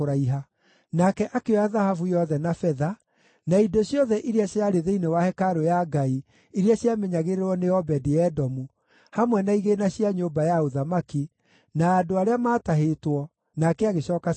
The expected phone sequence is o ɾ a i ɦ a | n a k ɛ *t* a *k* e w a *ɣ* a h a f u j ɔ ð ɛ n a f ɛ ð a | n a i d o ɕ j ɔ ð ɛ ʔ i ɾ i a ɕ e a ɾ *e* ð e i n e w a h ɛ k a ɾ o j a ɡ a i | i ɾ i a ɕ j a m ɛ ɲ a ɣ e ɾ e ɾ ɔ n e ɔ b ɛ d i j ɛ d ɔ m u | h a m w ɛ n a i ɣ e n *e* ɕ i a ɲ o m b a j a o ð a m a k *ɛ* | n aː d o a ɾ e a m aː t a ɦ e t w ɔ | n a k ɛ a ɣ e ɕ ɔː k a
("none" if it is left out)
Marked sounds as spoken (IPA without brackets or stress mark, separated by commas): ʔ, k, ð, e, a, i